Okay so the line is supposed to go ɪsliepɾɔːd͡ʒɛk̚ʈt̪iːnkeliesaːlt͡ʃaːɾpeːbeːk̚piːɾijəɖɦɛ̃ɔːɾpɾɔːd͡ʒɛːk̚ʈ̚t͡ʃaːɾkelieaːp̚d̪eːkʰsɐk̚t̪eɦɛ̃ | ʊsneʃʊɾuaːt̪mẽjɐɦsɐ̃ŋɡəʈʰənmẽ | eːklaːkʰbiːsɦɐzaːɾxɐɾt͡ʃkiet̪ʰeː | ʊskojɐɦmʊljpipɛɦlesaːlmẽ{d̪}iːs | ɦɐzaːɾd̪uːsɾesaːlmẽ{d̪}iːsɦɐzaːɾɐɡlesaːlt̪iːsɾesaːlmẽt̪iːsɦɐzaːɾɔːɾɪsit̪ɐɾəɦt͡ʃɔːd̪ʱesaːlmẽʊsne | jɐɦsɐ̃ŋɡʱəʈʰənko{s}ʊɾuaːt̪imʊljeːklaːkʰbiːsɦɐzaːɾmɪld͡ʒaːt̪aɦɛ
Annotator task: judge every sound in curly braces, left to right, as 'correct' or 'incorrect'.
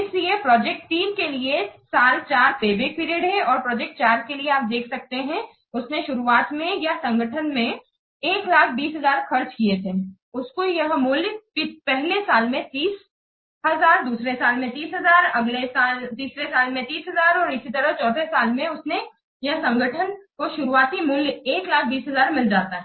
incorrect, incorrect, incorrect

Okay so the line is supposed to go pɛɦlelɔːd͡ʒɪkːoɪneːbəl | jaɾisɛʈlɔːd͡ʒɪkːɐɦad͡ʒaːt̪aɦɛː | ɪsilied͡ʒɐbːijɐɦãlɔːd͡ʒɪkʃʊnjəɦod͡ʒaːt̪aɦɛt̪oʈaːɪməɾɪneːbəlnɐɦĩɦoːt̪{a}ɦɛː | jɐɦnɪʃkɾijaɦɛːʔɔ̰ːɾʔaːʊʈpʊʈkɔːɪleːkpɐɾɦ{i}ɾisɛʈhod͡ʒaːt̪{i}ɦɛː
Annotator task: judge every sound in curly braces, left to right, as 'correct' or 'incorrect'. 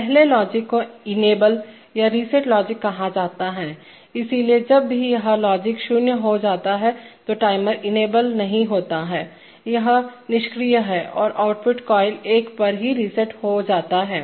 correct, correct, incorrect

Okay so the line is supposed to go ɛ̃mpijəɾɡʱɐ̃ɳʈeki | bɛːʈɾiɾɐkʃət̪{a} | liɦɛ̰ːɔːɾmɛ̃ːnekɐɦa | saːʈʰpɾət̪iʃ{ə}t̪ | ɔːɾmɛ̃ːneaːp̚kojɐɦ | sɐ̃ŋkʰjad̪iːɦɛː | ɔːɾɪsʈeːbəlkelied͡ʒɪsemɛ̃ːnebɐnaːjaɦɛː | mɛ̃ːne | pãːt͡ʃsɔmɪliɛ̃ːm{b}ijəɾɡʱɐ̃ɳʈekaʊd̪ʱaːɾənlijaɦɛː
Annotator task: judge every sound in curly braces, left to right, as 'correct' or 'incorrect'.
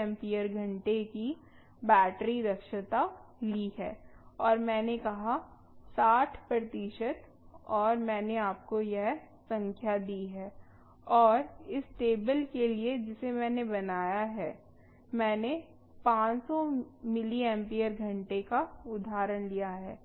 correct, correct, incorrect

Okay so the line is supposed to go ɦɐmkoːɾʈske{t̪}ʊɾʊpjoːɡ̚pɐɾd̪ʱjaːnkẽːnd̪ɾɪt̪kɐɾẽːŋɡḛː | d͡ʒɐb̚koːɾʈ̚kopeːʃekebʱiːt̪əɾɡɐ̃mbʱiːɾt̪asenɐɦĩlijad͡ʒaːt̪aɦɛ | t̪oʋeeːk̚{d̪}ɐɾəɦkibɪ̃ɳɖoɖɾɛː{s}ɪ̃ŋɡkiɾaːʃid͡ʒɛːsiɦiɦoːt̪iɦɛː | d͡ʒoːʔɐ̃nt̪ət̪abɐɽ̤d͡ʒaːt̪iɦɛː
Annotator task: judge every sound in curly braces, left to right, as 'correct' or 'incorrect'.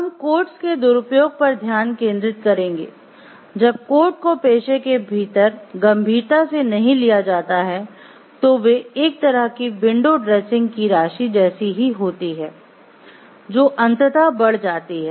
incorrect, incorrect, correct

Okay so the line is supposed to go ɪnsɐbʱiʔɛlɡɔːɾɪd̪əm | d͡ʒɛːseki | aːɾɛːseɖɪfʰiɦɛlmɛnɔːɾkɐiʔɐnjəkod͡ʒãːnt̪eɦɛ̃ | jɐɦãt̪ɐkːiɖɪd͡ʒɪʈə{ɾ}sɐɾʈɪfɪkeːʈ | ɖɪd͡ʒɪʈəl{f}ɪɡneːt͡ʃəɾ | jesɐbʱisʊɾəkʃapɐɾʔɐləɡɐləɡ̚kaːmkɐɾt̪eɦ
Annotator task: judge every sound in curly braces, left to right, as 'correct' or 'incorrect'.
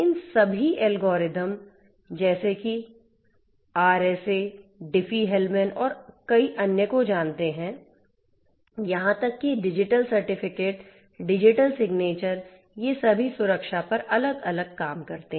incorrect, incorrect

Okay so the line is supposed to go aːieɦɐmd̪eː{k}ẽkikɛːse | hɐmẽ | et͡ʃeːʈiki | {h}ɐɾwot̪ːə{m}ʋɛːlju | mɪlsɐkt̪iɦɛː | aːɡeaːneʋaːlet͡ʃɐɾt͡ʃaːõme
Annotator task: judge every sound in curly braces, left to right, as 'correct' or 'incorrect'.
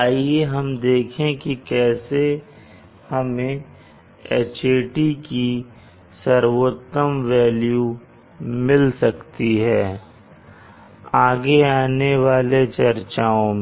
incorrect, incorrect, correct

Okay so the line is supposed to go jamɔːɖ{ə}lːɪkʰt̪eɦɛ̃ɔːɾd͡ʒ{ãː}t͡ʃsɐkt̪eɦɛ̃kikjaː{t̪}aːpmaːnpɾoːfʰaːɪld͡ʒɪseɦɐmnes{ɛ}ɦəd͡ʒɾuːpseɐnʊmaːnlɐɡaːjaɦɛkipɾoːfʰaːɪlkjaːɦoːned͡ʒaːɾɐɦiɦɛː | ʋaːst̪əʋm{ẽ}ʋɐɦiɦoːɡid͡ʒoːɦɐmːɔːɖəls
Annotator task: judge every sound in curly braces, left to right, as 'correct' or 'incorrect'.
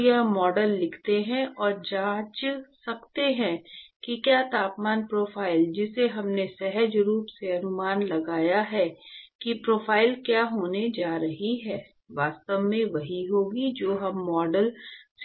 correct, incorrect, correct, correct, correct

